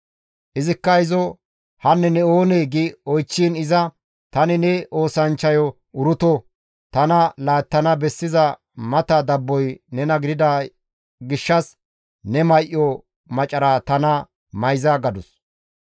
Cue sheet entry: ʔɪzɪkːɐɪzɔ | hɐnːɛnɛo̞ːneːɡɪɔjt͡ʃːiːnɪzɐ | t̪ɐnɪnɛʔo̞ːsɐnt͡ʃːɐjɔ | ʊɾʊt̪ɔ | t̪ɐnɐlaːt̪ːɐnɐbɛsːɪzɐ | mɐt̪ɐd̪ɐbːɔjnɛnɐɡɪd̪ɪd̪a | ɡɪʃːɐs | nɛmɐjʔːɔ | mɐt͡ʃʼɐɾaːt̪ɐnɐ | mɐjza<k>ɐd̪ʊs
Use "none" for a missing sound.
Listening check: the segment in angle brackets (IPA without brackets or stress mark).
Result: ɡ